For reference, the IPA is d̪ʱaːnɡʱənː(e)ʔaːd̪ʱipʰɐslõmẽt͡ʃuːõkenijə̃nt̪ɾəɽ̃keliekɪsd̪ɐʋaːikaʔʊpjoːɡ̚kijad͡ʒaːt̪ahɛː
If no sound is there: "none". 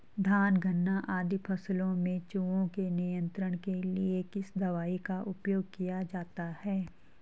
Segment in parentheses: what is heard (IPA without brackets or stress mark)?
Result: a